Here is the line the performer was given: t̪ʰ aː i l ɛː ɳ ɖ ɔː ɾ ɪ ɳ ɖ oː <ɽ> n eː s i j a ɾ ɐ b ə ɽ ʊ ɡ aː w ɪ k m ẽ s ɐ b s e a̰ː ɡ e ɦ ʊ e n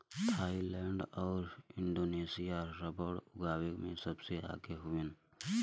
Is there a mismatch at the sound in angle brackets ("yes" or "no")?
yes